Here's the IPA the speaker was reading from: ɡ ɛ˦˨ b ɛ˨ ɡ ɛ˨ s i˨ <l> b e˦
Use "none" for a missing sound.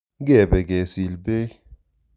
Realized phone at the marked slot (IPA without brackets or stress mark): l